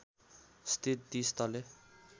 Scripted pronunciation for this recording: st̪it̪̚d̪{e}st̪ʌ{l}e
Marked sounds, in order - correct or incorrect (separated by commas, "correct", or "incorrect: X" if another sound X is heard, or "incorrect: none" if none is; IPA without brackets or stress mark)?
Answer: incorrect: i, correct